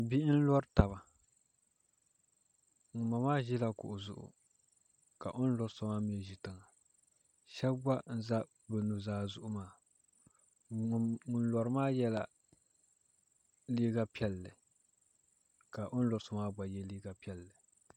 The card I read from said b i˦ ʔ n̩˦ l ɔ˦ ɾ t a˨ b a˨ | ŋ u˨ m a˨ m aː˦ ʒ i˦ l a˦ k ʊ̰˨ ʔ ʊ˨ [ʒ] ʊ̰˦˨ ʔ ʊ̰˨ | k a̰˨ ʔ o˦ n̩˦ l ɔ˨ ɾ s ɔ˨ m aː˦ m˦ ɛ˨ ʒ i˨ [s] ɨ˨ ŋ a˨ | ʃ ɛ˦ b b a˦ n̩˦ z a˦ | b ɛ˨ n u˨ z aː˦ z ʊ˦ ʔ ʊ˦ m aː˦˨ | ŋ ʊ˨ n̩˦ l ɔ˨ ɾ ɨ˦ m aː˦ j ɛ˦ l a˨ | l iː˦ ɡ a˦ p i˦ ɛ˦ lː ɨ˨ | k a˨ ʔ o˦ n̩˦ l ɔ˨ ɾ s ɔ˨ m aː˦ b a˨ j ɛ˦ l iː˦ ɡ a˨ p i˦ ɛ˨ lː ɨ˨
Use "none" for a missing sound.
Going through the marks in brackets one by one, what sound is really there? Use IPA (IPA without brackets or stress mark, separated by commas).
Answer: z, t